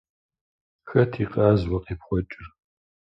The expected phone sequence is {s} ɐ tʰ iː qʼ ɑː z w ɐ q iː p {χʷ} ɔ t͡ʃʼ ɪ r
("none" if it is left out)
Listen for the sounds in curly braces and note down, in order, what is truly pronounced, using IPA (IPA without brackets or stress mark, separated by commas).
x, χʷ